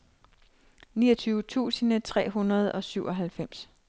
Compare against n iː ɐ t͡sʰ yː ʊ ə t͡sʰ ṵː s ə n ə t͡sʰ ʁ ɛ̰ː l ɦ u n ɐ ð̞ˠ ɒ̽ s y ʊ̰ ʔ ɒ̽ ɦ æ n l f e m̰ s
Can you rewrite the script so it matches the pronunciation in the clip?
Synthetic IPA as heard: n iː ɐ t͡sʰ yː ʊ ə t͡sʰ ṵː s ə n ə t͡sʰ ʁ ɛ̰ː ɦ u n ɐ ð̞ˠ ɒ̽ s y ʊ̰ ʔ ɒ̽ ɦ æ l f e m̰ s